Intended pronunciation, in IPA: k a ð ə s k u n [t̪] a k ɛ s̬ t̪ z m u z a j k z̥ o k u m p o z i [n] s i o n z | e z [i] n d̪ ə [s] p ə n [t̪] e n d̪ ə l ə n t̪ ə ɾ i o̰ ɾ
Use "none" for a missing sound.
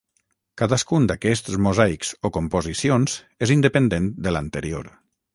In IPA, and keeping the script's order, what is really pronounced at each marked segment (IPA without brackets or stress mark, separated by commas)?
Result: d̪, none, i, none, d̪